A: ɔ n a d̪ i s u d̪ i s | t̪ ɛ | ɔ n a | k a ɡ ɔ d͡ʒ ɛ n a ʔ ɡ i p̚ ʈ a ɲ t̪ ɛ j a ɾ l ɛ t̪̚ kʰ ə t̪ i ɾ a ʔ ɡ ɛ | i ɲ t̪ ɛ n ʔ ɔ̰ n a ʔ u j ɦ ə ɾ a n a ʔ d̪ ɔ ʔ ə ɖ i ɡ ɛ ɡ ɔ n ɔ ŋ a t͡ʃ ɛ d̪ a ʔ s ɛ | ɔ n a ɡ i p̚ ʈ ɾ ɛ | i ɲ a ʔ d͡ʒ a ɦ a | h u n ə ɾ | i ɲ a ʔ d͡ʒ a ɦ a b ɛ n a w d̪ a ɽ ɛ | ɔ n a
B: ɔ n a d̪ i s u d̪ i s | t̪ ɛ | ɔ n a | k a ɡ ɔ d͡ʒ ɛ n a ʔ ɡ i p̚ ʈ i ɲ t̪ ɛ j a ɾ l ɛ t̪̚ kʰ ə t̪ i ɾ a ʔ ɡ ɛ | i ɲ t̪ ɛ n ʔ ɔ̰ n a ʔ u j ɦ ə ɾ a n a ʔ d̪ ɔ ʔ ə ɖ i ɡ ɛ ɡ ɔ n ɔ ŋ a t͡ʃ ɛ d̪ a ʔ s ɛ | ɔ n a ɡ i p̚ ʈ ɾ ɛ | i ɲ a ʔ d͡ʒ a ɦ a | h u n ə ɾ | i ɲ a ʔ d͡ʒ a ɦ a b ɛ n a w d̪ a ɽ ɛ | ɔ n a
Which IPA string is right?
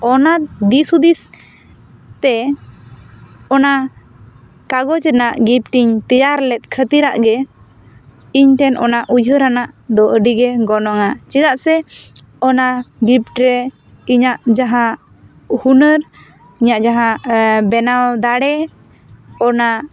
B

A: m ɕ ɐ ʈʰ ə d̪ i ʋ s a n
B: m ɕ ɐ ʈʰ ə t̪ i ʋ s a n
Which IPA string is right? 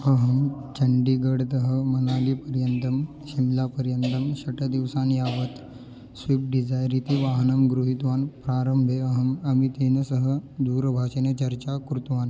A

